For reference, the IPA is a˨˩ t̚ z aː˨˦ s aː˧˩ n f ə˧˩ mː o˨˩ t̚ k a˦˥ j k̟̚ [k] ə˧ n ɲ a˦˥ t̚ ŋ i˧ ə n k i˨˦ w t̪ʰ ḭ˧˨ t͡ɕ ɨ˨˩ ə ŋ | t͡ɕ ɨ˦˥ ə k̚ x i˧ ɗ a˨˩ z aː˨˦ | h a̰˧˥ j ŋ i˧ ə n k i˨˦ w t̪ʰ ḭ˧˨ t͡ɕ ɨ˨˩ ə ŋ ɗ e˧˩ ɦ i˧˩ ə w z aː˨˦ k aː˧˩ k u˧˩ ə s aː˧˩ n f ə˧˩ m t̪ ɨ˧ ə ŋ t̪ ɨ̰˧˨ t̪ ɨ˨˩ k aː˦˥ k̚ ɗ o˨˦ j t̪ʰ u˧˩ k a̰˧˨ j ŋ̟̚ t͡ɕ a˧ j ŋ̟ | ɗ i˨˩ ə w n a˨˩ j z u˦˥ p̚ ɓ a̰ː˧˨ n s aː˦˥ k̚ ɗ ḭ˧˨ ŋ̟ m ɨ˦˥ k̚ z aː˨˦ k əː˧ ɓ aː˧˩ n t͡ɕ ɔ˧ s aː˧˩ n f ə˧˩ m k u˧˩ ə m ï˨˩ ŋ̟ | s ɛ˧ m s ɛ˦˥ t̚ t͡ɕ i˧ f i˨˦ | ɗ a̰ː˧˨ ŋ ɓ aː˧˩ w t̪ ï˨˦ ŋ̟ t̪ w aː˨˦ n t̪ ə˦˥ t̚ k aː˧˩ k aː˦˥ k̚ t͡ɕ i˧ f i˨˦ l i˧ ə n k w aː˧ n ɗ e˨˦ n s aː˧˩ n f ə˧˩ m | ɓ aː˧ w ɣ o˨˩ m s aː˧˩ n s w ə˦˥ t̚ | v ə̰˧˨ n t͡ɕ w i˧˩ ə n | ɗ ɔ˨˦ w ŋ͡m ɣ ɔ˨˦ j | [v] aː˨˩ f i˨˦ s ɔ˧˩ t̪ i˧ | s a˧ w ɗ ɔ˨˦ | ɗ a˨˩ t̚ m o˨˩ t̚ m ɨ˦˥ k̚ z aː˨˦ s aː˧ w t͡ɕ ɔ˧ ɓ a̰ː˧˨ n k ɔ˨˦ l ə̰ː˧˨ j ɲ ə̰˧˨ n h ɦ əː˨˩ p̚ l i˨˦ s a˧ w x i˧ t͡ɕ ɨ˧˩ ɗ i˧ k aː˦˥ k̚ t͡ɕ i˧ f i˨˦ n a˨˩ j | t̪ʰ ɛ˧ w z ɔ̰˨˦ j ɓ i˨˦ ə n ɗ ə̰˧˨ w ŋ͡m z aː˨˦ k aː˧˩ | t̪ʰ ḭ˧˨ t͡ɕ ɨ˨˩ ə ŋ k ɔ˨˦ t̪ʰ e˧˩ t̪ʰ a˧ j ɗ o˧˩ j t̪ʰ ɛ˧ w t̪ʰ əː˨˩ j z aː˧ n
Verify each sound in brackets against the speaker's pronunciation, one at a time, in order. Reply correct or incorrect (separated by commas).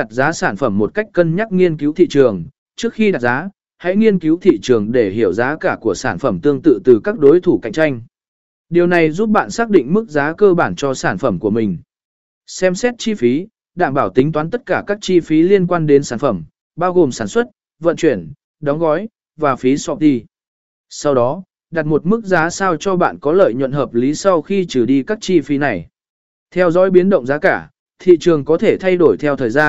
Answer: correct, correct